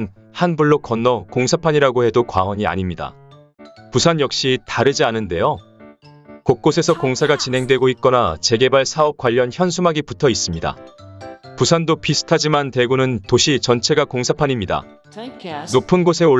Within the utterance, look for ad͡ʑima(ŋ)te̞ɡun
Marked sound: incorrect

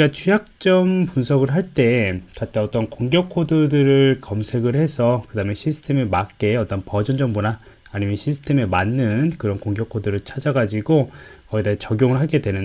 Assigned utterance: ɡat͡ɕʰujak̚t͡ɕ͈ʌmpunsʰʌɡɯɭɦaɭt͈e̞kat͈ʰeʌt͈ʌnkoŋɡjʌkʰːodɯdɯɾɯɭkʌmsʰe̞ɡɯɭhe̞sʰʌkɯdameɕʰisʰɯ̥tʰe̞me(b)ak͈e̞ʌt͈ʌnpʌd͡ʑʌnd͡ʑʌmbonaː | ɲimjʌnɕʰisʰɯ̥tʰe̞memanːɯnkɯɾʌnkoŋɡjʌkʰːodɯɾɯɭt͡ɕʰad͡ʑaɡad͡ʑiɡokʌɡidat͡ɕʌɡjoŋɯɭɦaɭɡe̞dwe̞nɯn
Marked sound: incorrect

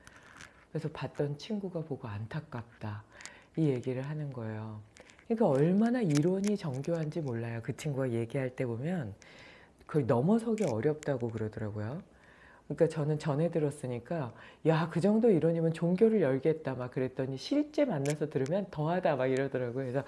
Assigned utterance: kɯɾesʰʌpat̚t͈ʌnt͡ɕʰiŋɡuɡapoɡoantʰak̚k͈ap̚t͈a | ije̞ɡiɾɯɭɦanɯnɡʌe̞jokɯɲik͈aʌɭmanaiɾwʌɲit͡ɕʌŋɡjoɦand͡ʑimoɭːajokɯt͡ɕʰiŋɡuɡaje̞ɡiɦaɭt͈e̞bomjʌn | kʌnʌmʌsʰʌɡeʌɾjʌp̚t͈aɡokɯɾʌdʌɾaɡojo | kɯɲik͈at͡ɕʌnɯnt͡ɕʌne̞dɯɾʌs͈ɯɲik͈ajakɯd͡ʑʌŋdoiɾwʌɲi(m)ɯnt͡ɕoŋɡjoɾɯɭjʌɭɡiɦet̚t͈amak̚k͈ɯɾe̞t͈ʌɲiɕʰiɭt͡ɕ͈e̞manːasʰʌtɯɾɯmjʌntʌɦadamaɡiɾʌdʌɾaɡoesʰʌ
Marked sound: correct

